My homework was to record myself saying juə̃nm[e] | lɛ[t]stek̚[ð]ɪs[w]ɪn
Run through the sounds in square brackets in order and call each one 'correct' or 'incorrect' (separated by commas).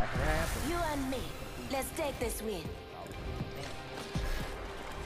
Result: incorrect, correct, correct, correct